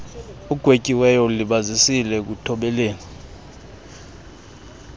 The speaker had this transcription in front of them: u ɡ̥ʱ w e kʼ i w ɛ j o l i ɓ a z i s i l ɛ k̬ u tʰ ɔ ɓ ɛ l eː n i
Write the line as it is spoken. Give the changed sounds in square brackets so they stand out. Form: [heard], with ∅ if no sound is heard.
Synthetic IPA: u ɡ̥ʱ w e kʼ i w ɛ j [ɔ] l i ɓ a z i s i l ɛ k̬ u tʰ ɔ ɓ ɛ l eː n i